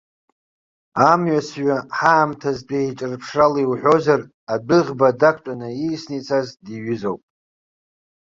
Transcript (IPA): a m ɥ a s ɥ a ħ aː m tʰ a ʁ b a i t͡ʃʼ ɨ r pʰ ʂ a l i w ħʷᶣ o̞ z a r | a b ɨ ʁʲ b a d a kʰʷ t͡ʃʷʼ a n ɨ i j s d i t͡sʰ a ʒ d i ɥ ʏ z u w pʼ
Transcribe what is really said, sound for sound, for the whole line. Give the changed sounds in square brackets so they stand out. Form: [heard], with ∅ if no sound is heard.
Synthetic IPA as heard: a m ɥ a s ɥ a ħ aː m tʰ a [z] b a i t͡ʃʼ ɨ r pʰ ʂ a l i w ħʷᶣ o̞ z a r | a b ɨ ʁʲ b a d a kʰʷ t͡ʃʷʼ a n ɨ i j s [n] i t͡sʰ a [z] d i ɥ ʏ z [o] w pʼ